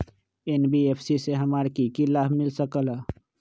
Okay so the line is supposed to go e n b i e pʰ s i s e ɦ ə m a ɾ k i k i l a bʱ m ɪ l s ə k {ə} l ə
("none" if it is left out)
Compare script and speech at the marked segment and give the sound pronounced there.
ə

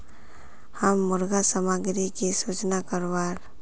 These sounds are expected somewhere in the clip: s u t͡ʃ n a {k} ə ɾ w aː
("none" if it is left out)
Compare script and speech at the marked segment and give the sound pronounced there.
k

